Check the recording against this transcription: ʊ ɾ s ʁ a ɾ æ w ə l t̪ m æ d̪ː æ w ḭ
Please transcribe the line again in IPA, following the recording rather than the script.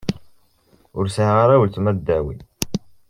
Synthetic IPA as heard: ʊ ɾ s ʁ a ɾ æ w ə l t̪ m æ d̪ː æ w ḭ